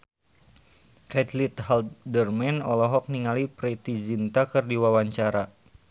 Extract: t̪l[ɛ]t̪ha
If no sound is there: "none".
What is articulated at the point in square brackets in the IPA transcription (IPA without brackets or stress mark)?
i